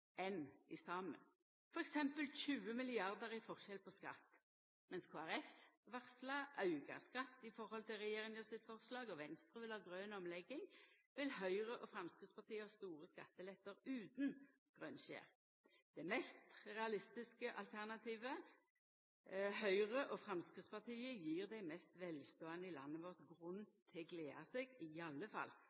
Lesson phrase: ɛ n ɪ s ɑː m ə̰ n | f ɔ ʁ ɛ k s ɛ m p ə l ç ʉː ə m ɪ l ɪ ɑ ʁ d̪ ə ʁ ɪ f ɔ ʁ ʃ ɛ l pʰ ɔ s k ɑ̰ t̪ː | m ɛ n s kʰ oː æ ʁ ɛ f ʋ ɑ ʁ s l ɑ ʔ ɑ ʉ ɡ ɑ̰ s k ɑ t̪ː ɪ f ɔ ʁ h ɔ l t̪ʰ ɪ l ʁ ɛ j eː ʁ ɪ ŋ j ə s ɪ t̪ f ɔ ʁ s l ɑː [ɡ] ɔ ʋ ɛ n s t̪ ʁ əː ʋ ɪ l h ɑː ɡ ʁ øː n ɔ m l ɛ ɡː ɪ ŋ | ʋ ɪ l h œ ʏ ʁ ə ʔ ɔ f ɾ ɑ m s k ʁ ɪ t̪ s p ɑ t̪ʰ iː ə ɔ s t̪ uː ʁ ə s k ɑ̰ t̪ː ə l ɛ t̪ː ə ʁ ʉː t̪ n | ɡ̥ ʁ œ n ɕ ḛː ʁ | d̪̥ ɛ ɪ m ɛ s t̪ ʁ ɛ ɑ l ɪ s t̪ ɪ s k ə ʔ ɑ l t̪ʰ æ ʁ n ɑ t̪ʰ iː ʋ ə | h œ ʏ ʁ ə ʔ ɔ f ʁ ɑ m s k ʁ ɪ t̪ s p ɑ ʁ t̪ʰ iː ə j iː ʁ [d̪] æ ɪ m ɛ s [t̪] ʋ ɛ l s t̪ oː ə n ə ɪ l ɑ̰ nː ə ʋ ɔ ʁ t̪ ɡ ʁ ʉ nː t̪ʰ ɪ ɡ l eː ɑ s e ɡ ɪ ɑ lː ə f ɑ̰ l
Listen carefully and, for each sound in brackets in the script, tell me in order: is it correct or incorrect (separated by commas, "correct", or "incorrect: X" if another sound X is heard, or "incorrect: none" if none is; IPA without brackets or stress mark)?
correct, correct, correct